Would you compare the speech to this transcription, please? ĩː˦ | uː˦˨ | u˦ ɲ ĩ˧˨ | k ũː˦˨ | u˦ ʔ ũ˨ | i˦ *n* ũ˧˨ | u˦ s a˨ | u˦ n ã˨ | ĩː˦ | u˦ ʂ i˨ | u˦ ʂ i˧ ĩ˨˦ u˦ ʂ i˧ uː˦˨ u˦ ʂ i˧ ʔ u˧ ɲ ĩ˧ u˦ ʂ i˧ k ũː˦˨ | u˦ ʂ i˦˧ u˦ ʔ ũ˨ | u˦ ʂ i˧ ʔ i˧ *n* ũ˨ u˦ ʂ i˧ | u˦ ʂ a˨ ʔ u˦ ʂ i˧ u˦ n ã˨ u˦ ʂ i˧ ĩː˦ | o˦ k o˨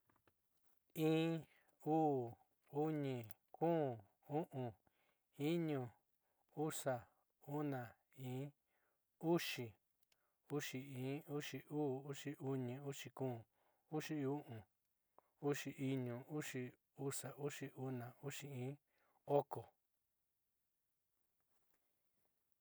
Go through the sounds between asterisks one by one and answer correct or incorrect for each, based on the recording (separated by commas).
incorrect, incorrect